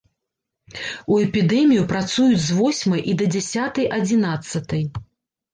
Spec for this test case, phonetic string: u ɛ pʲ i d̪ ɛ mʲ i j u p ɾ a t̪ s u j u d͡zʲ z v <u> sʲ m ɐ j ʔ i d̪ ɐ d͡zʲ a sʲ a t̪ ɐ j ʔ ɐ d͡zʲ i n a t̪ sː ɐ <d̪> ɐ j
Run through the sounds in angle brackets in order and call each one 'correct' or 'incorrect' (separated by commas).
incorrect, incorrect